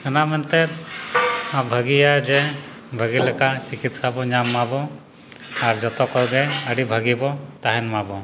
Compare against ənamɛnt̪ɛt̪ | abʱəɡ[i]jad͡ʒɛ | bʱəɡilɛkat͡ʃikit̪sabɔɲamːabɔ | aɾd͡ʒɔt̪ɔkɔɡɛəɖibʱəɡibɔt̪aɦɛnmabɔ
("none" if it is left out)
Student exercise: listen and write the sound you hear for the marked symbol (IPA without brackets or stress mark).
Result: i